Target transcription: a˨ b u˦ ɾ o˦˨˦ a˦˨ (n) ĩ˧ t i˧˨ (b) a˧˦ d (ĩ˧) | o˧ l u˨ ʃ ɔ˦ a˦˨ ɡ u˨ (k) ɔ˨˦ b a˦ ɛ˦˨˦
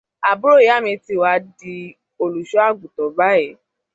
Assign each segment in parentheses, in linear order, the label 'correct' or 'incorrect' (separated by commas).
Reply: incorrect, incorrect, incorrect, incorrect